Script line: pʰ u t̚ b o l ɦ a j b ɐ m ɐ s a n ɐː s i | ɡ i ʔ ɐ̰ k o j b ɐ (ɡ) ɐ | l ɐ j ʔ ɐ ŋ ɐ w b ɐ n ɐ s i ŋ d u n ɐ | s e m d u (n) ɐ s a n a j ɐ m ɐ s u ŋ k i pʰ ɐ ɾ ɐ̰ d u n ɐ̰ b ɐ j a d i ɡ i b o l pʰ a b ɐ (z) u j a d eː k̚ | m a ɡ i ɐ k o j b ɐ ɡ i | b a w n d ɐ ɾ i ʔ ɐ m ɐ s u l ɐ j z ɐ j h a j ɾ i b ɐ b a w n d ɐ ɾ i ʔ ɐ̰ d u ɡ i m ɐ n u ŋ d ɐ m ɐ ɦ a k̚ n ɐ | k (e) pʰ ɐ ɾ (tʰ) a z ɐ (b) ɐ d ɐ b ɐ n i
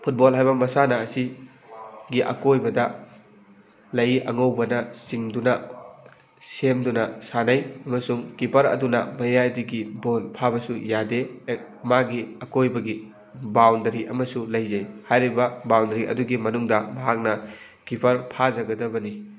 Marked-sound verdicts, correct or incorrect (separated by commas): incorrect, correct, incorrect, incorrect, incorrect, incorrect